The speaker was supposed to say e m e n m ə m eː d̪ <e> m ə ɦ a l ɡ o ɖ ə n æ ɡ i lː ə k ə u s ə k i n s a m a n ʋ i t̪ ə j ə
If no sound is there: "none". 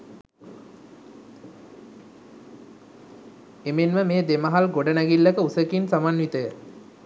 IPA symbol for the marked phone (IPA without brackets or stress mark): e